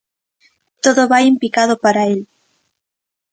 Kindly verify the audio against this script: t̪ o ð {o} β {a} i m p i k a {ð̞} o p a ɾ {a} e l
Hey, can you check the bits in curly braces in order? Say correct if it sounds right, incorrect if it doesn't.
correct, correct, correct, correct

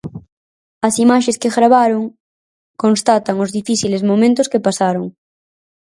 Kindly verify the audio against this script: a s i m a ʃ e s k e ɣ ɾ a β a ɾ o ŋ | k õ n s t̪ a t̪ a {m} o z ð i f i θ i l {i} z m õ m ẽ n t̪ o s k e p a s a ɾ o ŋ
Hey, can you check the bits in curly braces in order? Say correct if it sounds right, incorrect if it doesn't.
incorrect, incorrect

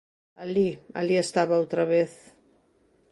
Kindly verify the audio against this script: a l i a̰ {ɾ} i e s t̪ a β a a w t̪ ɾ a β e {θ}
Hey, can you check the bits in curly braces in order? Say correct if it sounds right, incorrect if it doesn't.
incorrect, correct

